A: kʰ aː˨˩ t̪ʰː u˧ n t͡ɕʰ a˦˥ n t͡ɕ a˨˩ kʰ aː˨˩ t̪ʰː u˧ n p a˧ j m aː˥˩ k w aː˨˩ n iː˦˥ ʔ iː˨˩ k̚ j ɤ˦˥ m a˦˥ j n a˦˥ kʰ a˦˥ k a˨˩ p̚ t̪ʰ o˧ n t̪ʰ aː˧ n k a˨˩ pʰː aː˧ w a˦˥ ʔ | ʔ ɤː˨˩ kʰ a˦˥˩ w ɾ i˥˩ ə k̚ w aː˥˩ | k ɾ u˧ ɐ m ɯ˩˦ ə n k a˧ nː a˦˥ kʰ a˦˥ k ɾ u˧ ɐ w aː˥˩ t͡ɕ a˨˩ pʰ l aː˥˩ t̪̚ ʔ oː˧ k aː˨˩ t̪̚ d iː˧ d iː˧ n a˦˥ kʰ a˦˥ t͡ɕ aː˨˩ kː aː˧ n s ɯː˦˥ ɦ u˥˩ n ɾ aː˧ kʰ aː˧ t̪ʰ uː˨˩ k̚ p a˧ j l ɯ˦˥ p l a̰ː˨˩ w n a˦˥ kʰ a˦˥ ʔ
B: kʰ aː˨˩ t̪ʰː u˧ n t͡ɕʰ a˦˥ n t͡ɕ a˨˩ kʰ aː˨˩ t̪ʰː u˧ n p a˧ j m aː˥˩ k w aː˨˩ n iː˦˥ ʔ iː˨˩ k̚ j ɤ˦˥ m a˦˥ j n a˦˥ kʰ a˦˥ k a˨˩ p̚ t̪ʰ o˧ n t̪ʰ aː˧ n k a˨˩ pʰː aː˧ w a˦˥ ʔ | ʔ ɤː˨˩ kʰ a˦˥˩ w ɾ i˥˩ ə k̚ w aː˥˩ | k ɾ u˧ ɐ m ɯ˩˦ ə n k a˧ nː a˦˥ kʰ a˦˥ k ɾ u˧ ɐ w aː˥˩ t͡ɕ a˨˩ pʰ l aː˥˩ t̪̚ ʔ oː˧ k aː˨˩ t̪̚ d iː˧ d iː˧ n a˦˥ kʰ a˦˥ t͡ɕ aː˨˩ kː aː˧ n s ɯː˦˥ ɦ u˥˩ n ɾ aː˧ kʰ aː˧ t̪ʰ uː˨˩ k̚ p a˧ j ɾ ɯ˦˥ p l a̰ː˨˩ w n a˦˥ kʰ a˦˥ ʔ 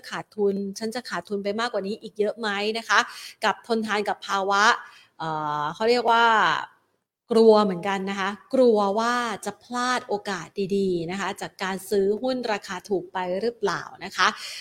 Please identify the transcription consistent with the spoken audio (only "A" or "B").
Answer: B